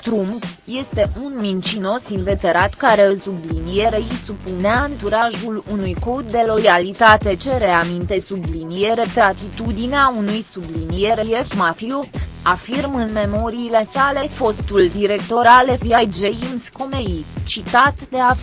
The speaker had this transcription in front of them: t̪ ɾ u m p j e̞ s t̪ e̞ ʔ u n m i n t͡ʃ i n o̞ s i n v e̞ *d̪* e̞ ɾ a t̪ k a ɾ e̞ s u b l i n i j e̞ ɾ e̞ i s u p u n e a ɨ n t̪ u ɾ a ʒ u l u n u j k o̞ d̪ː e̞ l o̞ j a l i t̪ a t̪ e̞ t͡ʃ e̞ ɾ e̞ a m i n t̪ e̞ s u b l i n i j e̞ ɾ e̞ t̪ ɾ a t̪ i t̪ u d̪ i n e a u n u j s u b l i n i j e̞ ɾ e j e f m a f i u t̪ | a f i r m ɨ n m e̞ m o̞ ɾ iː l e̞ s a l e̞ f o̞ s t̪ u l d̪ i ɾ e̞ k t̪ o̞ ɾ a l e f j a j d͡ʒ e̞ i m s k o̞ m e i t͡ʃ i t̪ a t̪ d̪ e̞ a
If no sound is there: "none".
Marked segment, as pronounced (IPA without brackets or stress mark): t̪